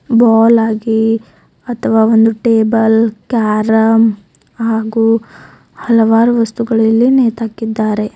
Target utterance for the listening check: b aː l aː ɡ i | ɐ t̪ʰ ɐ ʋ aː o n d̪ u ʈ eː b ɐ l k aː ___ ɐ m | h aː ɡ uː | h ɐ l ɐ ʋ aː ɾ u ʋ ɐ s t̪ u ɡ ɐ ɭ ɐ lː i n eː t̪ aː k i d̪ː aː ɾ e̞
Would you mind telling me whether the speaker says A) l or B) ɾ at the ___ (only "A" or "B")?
B